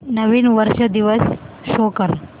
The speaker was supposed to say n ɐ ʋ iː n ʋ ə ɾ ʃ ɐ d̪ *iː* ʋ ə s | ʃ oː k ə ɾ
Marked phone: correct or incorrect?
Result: incorrect